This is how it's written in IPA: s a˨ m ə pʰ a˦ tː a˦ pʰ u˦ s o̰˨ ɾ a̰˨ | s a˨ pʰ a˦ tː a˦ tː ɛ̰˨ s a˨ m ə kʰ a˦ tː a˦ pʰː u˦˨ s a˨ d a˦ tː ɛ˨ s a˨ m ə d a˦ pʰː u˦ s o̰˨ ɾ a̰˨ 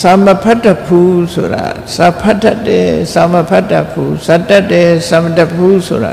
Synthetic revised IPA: s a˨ m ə pʰ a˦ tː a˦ pʰ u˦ s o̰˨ ɾ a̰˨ | s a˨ pʰ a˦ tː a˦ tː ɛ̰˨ s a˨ m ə pʰ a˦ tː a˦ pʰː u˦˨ s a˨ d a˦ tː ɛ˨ s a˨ m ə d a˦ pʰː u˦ s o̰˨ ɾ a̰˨